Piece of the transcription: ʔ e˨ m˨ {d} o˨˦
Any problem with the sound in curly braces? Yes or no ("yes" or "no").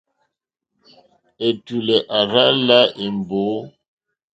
yes